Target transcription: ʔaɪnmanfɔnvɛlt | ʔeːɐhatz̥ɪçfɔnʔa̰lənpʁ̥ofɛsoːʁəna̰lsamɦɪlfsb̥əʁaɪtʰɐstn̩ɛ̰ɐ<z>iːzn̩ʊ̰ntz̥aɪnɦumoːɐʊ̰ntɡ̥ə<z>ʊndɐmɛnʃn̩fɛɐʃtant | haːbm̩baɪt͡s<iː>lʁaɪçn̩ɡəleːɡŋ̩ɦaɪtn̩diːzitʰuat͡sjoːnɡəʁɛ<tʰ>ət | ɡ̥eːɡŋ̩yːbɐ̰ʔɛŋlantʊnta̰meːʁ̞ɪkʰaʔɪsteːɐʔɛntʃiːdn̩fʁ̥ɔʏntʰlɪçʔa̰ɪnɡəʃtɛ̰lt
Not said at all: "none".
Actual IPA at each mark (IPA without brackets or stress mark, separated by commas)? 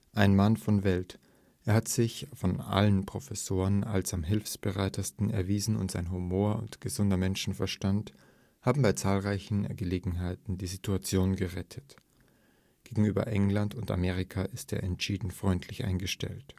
v, z, aː, tʰ